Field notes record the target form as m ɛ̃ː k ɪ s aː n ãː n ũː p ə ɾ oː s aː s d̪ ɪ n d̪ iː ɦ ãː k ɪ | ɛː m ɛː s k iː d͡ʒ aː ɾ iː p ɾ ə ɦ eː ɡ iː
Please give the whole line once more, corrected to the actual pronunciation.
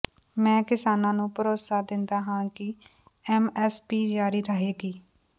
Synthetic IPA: m ɛ̃ː k ɪ s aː n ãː n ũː p ə ɾ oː s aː d̪ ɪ n d̪ aː ɦ ãː k ɪ | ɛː m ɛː s p iː d͡ʒ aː ɾ iː ɾ ə ɦ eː ɡ iː

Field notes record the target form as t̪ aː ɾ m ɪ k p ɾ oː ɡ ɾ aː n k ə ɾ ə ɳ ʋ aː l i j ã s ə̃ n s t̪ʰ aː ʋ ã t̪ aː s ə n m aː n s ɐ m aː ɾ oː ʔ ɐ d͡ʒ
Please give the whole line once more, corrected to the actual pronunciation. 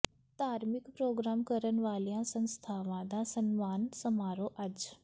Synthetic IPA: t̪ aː ɾ m ɪ k p ɾ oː ɡ ɾ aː m k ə ɾ ə n ʋ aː l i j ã s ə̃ n s t̪ʰ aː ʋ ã d̪ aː s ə n m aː n s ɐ m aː ɾ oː ʔ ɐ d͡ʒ

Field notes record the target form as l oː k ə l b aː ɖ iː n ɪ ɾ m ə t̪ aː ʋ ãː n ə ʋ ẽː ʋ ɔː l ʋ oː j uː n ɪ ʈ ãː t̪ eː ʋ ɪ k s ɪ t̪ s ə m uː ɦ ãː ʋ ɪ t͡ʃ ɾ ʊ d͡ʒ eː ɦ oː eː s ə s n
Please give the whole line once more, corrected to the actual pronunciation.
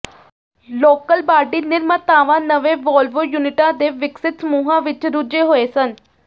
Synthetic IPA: l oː k ə l b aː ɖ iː n ɪ ɾ m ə t̪ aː ʋ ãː n ə ʋ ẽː ʋ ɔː l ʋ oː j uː n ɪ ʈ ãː d̪ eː ʋ ɪ k s ɪ t̪ s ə m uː ɦ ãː ʋ ɪ t͡ʃ ɾ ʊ d͡ʒ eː ɦ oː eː s ə n

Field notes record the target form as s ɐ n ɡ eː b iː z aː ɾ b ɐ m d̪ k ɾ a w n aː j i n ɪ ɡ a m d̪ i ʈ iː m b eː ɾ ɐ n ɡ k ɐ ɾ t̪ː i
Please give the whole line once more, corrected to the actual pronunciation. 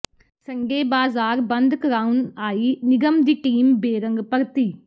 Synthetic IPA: s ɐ ŋ ɡ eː b aː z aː ɾ b ɐ n d̪ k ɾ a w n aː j i n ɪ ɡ ɐ m d̪ i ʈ iː m b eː ɾ ɐ ŋ ɡ p ɐ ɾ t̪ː i

